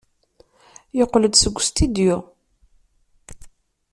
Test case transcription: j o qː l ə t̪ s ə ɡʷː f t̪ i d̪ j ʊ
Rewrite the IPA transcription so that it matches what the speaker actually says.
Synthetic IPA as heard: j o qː l ə d̪ s ə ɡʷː s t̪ i d̪ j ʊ

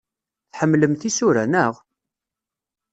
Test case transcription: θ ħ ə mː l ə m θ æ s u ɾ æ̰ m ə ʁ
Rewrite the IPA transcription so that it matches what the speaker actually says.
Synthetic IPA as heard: θ ħ ə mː l ə m θ i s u ɾ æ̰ n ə ʁ

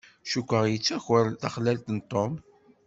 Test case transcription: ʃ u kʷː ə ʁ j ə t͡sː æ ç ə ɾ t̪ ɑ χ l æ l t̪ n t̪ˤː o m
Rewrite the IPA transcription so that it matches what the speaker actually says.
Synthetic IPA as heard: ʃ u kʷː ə ʁ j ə t͡sː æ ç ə ɾ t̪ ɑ χ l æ l t̪ n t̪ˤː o m

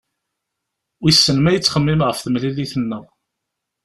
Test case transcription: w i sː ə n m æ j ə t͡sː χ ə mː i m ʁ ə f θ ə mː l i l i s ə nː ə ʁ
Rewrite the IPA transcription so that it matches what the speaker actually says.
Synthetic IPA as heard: w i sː ə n m æ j ə t͡sː χ ə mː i m ʁ ə f θ ə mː l i l i θ ə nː ə ʁ

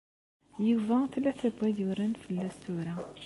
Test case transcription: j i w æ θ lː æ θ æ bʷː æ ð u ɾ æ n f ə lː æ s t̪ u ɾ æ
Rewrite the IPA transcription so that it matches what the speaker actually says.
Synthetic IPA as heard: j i v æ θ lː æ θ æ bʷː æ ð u ɾ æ n f ə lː æ s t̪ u ɾ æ

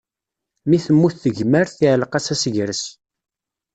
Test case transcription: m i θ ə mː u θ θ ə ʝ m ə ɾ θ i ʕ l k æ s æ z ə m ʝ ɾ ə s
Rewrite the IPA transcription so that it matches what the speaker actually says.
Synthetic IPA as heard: m i θ ə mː u θ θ ə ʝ m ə ɾ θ i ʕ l q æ s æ s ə ʝ ɾ ə s

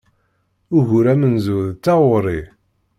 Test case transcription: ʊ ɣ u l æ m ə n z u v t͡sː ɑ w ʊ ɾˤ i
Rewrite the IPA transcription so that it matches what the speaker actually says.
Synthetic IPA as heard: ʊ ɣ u ɾ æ m ə n z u ð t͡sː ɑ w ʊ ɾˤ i

